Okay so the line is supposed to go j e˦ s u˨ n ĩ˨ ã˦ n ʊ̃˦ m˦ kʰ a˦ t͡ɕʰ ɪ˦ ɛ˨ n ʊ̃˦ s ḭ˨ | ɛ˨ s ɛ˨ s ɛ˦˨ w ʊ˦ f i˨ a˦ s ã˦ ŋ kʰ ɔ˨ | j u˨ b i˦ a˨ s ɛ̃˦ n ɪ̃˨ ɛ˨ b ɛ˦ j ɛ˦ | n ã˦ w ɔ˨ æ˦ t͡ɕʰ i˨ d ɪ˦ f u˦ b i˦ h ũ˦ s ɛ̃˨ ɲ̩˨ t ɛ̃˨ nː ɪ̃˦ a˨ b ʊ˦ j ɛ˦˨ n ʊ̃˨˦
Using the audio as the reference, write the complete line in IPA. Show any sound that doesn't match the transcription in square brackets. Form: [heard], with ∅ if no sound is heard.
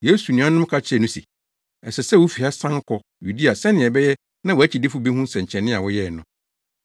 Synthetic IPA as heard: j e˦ s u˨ n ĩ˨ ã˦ n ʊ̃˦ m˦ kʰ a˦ t͡ɕʰ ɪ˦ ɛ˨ n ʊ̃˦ s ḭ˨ | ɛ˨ s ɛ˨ s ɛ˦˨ w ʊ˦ f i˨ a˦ s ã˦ ŋ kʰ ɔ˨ | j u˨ [d] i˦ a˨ s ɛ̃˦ n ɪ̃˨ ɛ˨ b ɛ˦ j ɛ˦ | n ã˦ w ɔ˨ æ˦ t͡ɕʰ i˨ d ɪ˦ f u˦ b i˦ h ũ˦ s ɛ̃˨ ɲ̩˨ [t͡ɕʰ] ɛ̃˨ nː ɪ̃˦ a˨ [w] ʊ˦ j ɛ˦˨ n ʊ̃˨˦